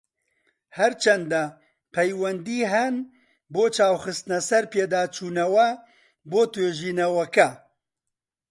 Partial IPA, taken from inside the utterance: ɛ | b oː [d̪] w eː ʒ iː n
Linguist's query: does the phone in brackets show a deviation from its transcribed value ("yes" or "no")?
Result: yes